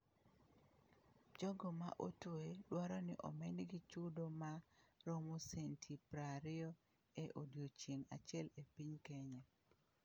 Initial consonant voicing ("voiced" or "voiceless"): voiced